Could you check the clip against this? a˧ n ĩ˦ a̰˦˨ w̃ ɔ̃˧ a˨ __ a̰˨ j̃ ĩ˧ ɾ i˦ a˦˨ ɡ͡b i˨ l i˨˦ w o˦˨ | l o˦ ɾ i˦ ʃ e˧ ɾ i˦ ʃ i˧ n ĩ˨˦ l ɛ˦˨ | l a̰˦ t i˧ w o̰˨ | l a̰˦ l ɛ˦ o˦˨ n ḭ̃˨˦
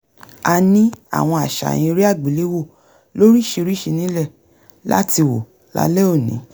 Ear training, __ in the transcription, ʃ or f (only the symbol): ʃ